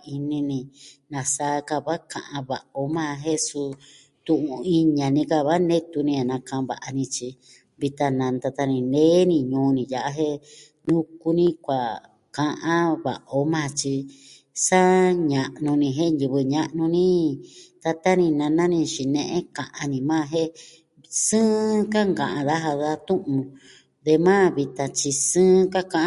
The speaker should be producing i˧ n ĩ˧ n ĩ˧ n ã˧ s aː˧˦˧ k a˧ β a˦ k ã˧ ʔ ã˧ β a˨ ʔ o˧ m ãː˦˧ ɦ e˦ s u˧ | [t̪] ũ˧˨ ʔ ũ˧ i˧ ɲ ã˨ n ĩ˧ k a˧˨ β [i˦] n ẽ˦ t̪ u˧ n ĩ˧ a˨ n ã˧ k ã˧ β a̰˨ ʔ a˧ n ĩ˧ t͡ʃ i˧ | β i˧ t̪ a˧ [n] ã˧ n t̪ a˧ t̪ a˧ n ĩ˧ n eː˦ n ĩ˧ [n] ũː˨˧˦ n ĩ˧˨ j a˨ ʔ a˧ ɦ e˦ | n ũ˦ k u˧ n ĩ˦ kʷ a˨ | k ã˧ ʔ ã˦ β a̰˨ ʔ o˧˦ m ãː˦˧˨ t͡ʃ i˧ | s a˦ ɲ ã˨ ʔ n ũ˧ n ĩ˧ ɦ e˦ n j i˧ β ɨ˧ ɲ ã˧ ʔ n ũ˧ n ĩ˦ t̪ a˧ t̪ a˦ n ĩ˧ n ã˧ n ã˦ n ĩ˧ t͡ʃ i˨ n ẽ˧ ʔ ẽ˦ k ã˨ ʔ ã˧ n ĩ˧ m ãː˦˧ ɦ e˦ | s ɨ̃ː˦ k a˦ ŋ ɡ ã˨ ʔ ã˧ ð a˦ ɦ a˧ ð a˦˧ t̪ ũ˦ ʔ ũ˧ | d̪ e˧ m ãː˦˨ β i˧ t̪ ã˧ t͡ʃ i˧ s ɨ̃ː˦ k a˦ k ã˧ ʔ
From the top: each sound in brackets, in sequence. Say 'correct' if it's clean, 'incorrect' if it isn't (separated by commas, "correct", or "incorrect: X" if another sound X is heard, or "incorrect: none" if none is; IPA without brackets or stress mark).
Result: correct, incorrect: a˦, correct, incorrect: ɲ